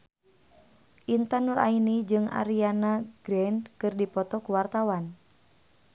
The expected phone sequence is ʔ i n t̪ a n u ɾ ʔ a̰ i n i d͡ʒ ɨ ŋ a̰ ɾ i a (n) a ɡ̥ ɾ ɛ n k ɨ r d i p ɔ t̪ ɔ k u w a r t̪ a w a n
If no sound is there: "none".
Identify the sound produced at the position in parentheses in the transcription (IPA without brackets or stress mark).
n